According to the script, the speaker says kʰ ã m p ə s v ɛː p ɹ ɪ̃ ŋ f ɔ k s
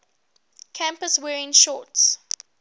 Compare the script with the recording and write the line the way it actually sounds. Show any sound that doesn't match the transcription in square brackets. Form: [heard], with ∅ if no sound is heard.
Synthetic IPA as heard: kʰ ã m p ə s [w] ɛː [∅] ɹ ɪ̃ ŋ [ʃ] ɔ [t] s